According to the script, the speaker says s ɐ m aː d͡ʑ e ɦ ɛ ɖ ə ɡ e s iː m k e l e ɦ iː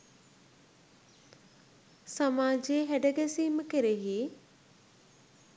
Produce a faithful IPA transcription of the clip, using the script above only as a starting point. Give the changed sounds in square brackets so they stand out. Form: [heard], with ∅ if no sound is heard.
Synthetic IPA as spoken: s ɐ m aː d͡ʑ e ɦ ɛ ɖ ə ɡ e s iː m k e [ɾ] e ɦ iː